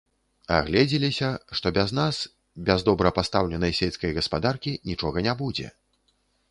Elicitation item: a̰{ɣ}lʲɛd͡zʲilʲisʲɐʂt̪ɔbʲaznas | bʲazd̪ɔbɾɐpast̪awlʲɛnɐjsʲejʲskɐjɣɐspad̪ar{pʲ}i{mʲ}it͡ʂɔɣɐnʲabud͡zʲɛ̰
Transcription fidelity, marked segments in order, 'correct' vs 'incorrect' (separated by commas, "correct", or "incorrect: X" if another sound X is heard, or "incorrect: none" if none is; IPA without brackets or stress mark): correct, incorrect: kʲ, incorrect: nʲ